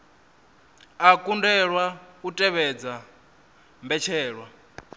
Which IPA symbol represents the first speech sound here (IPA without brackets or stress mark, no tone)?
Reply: a